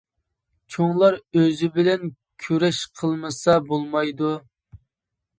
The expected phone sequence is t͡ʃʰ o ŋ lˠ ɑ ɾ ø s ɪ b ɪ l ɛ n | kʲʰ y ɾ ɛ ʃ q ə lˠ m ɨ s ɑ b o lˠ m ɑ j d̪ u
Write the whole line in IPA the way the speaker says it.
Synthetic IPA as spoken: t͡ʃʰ o ŋ lˠ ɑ ɾ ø z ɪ b ɪ l ɛ n | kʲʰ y ɾ ɛ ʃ qʰ ə lˠ m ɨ s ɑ b o lˠ m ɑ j d̪ u